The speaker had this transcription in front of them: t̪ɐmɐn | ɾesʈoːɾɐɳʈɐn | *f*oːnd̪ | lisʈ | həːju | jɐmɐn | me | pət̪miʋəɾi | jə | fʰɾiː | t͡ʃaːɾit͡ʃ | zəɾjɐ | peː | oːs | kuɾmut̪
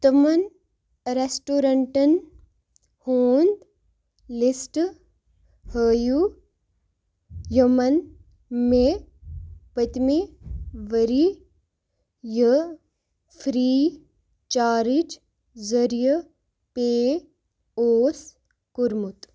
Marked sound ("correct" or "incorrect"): incorrect